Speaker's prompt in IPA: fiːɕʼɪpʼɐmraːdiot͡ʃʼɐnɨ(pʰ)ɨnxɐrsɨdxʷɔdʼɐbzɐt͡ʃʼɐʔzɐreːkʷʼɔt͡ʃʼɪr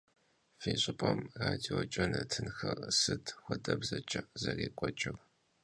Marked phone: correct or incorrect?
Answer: incorrect